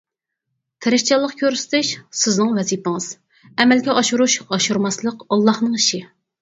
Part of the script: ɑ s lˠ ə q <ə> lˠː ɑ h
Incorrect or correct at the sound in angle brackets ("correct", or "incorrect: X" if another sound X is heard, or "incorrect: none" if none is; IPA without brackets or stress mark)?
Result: incorrect: ɑ